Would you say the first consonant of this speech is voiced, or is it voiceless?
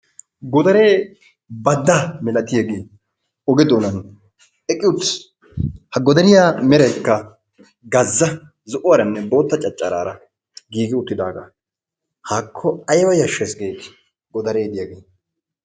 voiced